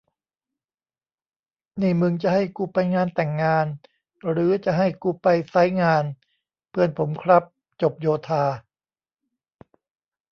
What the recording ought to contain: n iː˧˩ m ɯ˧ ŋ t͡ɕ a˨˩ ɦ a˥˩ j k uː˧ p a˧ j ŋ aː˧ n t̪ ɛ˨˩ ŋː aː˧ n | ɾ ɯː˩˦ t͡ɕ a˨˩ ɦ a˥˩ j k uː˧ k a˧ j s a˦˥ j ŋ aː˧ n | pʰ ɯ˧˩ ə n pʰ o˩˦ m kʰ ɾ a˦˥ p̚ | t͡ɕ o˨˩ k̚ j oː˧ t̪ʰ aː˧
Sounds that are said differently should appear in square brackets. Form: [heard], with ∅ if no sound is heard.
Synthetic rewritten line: n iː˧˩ m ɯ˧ ŋ t͡ɕ a˨˩ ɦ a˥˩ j k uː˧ p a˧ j ŋ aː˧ n t̪ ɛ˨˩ ŋː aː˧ n | ɾ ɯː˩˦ t͡ɕ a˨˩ ɦ a˥˩ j k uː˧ [p] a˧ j s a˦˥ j ŋ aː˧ n | pʰ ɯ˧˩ ə n pʰ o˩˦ m kʰ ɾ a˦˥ p̚ | t͡ɕ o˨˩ [p̚] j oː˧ t̪ʰ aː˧